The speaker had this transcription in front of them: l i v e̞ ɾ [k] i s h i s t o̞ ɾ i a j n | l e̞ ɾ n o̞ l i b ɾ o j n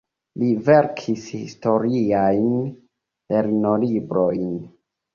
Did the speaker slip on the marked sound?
yes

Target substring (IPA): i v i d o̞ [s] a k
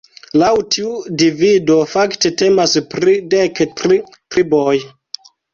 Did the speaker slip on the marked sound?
yes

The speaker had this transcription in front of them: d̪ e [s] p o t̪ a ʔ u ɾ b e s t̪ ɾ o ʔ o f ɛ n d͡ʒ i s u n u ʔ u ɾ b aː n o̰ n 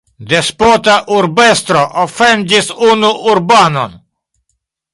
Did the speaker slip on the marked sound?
no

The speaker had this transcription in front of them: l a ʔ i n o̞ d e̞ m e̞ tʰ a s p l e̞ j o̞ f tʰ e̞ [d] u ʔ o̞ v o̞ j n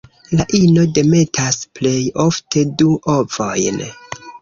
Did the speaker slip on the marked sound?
no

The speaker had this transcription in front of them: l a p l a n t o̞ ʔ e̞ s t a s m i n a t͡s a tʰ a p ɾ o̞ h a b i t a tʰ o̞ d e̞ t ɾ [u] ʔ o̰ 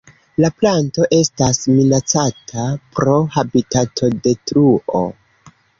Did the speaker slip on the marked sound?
no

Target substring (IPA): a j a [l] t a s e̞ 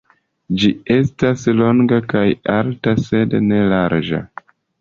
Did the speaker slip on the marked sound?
no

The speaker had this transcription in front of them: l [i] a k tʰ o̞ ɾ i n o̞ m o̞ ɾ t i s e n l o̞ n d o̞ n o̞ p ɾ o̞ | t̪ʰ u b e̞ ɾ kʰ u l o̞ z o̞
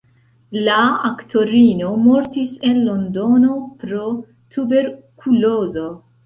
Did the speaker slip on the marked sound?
yes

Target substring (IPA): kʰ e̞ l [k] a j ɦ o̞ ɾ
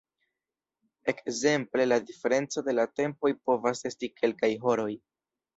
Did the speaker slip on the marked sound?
no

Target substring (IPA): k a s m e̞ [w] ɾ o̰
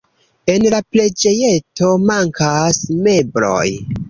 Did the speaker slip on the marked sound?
yes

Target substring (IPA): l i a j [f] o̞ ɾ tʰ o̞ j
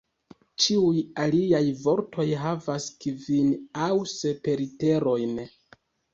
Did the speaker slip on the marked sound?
yes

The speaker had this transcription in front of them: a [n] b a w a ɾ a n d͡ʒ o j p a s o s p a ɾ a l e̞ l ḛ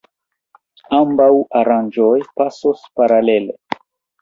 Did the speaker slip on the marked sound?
yes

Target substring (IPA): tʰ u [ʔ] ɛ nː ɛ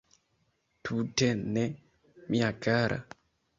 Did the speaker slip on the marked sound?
yes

